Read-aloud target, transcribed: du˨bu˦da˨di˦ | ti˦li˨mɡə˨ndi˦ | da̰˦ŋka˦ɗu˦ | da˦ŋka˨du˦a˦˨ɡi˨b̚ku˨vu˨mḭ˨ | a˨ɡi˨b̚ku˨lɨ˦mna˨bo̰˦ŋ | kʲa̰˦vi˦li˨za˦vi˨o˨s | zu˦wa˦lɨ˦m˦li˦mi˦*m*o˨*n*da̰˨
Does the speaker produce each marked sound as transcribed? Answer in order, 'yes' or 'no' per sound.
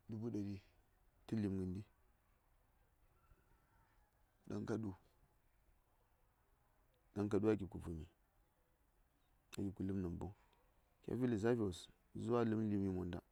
yes, yes

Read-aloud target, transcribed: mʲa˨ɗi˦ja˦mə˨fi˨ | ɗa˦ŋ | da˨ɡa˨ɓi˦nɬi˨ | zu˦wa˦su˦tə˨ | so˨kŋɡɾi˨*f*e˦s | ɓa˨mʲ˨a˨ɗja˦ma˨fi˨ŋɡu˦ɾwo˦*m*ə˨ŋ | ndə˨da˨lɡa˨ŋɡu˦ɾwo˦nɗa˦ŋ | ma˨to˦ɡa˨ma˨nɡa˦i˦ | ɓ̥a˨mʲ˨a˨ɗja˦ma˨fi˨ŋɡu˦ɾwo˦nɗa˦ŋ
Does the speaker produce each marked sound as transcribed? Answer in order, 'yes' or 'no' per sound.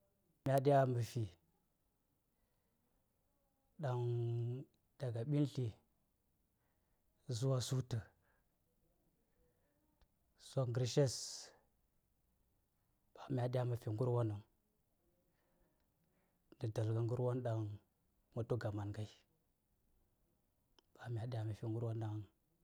no, no

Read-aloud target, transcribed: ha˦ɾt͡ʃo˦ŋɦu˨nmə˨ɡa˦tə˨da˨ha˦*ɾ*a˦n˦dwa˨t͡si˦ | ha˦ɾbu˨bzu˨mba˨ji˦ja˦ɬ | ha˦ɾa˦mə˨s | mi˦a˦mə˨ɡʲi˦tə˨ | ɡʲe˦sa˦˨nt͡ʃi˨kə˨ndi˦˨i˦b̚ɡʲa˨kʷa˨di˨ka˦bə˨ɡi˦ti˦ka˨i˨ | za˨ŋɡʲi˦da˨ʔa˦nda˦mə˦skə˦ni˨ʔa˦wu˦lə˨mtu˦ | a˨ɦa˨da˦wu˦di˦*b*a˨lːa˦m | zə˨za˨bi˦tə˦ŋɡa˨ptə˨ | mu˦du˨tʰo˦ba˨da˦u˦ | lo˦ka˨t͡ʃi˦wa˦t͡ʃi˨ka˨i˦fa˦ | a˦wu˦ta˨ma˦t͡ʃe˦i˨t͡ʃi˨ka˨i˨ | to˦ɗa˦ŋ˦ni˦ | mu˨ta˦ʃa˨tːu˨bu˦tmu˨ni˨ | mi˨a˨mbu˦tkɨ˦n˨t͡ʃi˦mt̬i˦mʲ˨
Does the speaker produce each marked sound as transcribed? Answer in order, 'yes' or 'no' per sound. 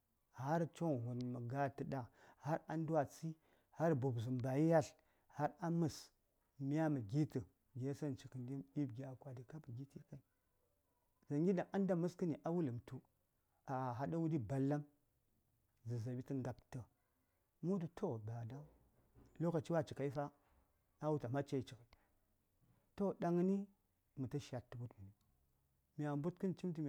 yes, yes

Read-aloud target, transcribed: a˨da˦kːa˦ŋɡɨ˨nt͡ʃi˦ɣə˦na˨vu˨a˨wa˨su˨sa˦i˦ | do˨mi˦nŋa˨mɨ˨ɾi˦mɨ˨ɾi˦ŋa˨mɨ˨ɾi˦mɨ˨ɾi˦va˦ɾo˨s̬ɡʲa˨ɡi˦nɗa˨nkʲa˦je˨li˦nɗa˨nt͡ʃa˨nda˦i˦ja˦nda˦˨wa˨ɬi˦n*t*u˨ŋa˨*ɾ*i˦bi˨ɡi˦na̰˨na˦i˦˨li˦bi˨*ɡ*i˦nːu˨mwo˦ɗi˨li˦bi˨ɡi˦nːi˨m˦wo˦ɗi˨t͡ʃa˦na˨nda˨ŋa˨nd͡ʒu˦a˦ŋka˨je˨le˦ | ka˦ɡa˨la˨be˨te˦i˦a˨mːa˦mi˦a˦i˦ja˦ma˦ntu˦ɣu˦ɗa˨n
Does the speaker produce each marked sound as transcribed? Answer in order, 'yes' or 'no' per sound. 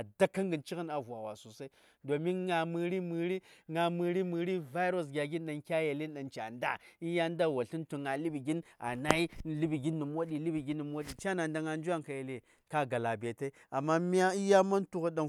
yes, no, yes

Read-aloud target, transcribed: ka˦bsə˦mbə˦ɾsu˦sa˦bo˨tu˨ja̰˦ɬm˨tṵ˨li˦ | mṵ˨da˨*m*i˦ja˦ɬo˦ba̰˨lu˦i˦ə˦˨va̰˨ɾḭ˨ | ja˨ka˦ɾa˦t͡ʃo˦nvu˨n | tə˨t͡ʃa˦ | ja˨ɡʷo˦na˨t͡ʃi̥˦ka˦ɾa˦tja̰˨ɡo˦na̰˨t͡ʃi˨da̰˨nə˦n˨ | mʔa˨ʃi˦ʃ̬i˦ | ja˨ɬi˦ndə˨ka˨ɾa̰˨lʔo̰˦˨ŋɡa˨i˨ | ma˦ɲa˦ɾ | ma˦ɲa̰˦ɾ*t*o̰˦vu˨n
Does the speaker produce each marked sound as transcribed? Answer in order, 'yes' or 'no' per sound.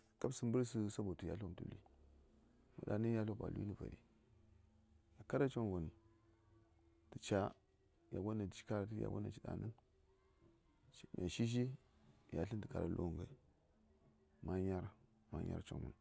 no, no

